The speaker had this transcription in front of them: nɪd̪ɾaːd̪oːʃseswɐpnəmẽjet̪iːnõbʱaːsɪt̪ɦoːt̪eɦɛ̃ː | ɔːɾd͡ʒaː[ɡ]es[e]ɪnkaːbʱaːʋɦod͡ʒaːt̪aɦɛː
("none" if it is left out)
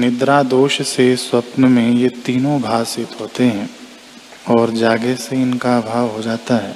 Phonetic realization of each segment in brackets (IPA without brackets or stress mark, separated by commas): ɡ, e